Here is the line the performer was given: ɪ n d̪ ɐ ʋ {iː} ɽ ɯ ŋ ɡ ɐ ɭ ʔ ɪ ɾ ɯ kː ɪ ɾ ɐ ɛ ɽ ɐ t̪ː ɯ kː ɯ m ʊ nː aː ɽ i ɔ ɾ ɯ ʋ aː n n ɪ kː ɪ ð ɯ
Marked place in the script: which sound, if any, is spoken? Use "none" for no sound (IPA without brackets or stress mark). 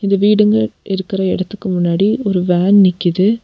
iː